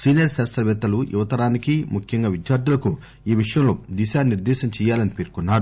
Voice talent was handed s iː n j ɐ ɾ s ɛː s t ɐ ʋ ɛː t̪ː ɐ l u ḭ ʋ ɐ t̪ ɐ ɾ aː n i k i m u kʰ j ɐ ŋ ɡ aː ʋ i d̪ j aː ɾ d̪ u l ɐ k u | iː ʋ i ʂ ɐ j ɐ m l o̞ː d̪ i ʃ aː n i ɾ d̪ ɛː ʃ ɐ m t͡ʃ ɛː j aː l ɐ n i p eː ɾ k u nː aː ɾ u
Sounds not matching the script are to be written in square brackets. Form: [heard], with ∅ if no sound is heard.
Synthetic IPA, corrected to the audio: s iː n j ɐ ɾ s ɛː s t ɐ ʋ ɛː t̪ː ɐ l u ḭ ʋ ɐ t̪ ɐ ɾ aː n i k i m u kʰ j ɐ ŋ ɡ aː ʋ i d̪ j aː ɾ d̪ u l ɐ k u | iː ʋ i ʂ ɐ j ɐ m l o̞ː d̪ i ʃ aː n i ɾ d̪ ɛː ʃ ɐ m t͡ʃ ɛː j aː l ɐ n i p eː ɾ k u nː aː ɾ u

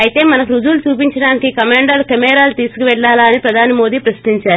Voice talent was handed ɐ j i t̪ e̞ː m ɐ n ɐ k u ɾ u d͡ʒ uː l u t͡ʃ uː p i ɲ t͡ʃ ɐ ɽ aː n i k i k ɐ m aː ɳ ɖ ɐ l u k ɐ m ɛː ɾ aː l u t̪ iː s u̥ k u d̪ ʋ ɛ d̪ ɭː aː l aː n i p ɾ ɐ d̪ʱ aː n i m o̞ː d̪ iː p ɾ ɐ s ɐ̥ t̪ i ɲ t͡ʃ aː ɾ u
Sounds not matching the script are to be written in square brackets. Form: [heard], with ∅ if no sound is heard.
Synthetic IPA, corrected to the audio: ɐ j i t̪ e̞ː m ɐ n ɐ k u ɾ u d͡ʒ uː l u t͡ʃ uː p i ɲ t͡ʃ ɐ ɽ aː n i k i k ɐ m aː ɳ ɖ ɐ l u k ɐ m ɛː ɾ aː l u t̪ iː s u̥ k u [∅] ʋ ɛ [∅] ɭː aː l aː n i p ɾ ɐ d̪ʱ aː n i m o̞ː d̪ iː p ɾ ɐ s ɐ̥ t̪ i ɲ t͡ʃ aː ɾ u

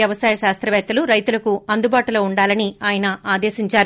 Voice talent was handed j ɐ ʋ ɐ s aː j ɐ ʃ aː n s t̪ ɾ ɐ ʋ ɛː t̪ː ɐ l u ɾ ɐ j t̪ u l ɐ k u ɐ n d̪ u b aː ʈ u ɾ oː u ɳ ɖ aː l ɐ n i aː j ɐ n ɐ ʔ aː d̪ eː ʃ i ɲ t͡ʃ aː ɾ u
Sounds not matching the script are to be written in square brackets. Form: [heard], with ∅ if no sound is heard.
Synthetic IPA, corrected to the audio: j ɐ ʋ ɐ s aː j ɐ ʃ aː [∅] s t̪ ɾ ɐ ʋ ɛː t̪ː ɐ l u ɾ ɐ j t̪ u l ɐ k u ɐ n d̪ u b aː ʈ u [l] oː u ɳ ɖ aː l ɐ n i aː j ɐ n ɐ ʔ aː d̪ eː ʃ i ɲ t͡ʃ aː ɾ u

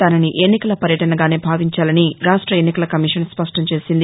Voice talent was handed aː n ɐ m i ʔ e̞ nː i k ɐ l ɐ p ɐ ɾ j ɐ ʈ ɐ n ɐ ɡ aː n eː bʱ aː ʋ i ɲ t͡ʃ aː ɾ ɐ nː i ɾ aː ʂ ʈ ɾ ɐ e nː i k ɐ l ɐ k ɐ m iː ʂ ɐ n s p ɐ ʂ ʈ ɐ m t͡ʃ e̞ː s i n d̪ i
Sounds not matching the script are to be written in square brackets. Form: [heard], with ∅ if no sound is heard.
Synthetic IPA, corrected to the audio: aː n ɐ [n] i ʔ e̞ nː i k ɐ l ɐ p ɐ ɾ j ɐ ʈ ɐ n ɐ ɡ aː n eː bʱ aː ʋ i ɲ t͡ʃ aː [l] ɐ [n] i ɾ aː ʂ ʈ ɾ ɐ e nː i k ɐ l ɐ k ɐ m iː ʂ ɐ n s p ɐ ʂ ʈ ɐ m t͡ʃ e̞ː s i n d̪ i

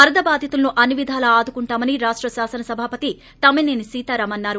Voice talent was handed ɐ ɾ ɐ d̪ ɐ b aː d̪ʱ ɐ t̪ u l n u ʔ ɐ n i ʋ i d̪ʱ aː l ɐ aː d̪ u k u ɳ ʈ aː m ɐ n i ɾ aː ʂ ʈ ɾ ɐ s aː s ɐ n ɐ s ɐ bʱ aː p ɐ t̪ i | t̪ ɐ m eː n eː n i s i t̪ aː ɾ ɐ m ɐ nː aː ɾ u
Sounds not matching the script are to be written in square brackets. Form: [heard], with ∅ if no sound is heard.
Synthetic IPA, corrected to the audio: ɐ ɾ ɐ d̪ ɐ b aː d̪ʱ ɐ t̪ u l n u ʔ ɐ n i ʋ i d̪ʱ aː l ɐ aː d̪ u k u ɳ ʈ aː m ɐ n i ɾ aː ʂ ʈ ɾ ɐ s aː s ɐ n ɐ s ɐ bʱ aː p ɐ t̪ i | t̪ ɐ m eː n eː n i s [iː] t̪ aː ɾ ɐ m ɐ nː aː ɾ u

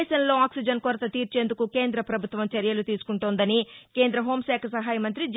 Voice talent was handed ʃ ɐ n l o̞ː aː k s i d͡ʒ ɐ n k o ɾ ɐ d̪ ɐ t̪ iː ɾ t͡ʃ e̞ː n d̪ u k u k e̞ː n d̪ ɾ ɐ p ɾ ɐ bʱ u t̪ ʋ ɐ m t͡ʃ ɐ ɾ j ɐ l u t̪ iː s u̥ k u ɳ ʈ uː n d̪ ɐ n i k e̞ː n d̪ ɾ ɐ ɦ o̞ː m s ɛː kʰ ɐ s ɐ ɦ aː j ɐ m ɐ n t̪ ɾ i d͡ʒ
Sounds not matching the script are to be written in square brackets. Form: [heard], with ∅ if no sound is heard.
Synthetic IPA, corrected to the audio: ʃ ɐ n l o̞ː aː k s i d͡ʒ ɐ n k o ɾ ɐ [t̪] ɐ t̪ iː ɾ t͡ʃ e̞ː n d̪ u k u k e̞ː n d̪ ɾ ɐ p ɾ ɐ bʱ u t̪ ʋ ɐ m t͡ʃ ɐ ɾ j ɐ l u t̪ iː s u̥ k u ɳ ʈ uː n d̪ ɐ n i k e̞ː n d̪ ɾ ɐ ɦ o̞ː m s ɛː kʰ ɐ s ɐ ɦ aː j ɐ m ɐ n t̪ ɾ i d͡ʒ

